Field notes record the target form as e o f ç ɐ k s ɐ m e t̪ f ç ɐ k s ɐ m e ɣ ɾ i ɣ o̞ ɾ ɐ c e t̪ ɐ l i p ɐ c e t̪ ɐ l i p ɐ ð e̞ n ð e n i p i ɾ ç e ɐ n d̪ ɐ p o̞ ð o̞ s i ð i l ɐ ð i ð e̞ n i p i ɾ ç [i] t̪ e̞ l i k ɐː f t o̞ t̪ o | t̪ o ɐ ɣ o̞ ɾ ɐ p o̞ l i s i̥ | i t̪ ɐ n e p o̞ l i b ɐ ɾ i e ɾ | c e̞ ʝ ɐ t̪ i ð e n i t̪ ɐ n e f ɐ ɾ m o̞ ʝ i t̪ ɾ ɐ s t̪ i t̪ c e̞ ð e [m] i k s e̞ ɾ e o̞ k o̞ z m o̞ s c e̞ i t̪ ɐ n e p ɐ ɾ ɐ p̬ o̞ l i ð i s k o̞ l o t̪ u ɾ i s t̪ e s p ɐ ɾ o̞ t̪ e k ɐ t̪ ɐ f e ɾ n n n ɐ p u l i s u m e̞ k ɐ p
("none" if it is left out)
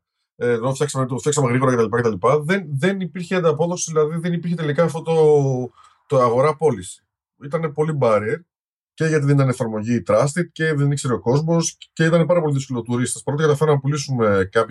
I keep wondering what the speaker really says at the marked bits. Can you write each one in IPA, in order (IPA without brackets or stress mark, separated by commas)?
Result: e, n